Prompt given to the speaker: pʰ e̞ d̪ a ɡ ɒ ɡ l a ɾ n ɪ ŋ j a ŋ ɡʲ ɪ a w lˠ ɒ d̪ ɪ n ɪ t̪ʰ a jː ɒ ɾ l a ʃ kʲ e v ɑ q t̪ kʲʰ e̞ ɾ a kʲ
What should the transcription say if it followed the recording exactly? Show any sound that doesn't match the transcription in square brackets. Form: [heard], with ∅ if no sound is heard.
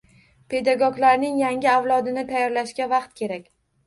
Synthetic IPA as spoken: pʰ e̞ d̪ a ɡ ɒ ɡ l a ɾ n ɪ ŋ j a ŋ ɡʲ ɪ a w lˠ ɒ d̪ ɪ n ɪ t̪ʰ a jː ɒ ɾ l a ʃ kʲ [a] v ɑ q t̪ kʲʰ e̞ ɾ a kʲ